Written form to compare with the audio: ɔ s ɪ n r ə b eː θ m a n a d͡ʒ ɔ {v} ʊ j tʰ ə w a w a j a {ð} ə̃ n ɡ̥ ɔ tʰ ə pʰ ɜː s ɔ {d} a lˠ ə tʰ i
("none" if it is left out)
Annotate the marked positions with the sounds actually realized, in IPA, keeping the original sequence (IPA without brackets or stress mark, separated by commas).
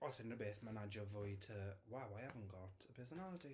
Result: v, v, n